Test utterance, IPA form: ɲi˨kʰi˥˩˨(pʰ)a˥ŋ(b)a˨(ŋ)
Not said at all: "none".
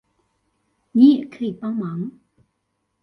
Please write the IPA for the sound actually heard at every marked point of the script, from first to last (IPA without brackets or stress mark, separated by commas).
p, m, ŋ